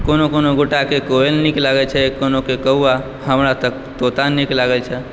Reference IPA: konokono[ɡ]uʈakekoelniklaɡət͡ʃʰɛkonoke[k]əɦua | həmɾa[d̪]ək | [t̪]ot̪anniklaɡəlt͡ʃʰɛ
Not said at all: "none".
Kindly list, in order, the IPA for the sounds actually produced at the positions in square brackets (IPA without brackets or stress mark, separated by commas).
ɡ, k, t̪, t̪